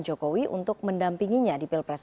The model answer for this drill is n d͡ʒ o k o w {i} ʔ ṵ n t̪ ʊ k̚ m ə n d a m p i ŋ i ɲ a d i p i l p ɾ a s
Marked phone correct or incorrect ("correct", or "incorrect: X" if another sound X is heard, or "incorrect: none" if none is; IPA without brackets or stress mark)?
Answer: correct